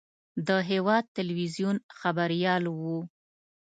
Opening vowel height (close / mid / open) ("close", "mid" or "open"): mid